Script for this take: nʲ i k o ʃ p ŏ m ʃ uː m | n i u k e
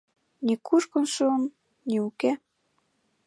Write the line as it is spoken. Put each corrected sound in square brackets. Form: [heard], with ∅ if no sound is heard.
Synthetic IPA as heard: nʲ i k [u] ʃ [k] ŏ [n] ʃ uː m | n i u k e